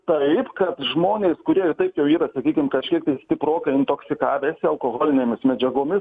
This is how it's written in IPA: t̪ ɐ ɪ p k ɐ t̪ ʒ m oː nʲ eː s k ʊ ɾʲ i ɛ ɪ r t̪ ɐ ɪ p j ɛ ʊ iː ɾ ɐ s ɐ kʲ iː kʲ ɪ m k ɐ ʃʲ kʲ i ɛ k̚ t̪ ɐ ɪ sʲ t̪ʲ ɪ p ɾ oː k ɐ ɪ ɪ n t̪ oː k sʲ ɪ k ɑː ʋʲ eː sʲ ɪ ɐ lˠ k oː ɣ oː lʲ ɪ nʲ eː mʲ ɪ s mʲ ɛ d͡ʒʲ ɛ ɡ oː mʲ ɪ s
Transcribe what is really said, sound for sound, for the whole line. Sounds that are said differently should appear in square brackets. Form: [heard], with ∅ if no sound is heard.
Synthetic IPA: t̪ ɐ ɪ p k ɐ t̪ ʒ m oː nʲ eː s k ʊ ɾʲ i ɛ ɪ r t̪ ɐ ɪ p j ɛ ʊ iː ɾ ɐ s ɐ kʲ iː kʲ ɪ m k ɐ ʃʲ kʲ i ɛ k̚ t̪ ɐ ɪ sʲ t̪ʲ ɪ p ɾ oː k ɐ ɪ ɪ n t̪ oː k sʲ ɪ k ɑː ʋʲ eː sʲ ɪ ɐ lˠ k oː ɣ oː lʲ ɪ nʲ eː mʲ ɪ s mʲ ɛ d͡ʒʲ ɛ ɡ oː mʲ ɪ s